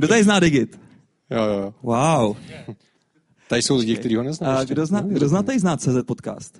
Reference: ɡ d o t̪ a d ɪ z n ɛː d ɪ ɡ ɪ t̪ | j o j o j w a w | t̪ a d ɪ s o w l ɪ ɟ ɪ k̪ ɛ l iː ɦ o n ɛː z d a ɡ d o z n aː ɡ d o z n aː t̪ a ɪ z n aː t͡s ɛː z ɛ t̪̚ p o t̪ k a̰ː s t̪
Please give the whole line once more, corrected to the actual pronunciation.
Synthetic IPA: ɡ d o t̪ a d ɪ z n aː d ɪ ɡ ɪ t̪ | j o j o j w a w | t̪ a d ɪ s o w l ɪ ɟ ɪ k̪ ɛ ɾ iː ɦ o n ɛ z n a ɡ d o z n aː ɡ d o z n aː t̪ a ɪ z n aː t͡s ɛː z ɛ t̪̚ p o t̪ k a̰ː s t̪